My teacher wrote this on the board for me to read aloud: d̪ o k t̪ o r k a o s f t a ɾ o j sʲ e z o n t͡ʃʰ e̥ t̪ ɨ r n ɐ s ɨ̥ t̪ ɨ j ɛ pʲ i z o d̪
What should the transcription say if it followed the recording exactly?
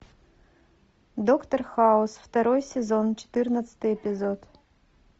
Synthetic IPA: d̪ o k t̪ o r x a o s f t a ɾ o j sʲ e z o n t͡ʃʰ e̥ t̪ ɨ r n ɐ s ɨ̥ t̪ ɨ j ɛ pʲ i z o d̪